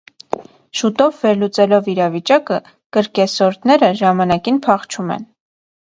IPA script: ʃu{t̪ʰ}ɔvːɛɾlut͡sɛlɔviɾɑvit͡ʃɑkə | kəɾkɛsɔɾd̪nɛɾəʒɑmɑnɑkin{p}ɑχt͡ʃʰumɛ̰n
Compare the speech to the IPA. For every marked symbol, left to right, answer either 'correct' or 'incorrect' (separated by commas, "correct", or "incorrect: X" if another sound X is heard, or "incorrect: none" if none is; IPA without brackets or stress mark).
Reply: incorrect: t̪, incorrect: pʰ